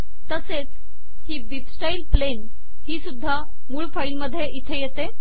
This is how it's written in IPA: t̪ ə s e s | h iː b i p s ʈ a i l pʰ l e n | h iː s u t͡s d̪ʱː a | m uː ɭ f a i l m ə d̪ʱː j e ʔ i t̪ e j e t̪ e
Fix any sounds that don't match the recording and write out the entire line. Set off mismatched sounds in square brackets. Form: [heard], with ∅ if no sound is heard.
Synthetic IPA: t̪ ə s e [t͡s] | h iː b i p s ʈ a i l [p] l e n | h iː s u [∅] d̪ʱː a | m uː ɭ f a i l m ə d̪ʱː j e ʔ i [t̪ʰ] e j e t̪ e